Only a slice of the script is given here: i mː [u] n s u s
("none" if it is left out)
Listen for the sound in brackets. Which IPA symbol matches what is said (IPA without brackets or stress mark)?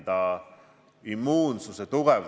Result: uː